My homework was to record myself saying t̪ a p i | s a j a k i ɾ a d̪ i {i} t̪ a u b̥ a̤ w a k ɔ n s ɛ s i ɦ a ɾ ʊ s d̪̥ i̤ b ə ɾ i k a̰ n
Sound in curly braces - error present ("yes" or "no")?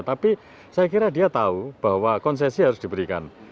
yes